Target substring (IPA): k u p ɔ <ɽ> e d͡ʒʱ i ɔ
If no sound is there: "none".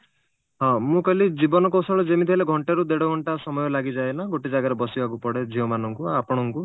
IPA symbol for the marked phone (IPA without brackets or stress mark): ɽ